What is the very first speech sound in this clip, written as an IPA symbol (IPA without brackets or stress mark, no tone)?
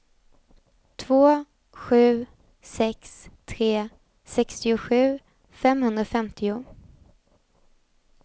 t̪ʰ